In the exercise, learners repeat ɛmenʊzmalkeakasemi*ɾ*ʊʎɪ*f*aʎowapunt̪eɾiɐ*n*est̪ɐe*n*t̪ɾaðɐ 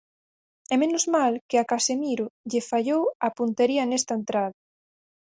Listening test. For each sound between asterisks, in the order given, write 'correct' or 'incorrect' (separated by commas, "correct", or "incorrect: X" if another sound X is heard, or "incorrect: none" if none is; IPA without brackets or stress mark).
correct, correct, correct, correct